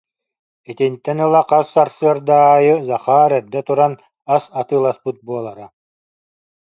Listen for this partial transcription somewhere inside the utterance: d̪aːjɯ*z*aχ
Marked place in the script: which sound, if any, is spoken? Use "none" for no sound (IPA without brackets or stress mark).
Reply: z